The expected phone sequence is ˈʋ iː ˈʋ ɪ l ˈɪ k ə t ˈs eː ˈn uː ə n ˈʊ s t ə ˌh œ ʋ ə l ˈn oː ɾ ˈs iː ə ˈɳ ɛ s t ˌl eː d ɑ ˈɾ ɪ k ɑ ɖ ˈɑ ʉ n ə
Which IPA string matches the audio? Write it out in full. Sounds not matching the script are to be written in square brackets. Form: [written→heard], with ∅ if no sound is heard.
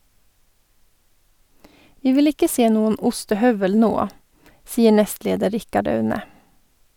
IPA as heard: ˈʋ iː ˈʋ ɪ l ˈɪ k ə [t→∅] ˈs eː ˈn uː ə n ˈʊ s t ə ˌh œ ʋ ə l ˈn oː [ɾ→∅] ˈs iː ə ˈɳ ɛ s t ˌl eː d [ɑ→ə] ˈɾ ɪ k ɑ ɖ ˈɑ ʉ n ə